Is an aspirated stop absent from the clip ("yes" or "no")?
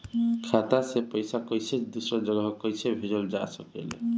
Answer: no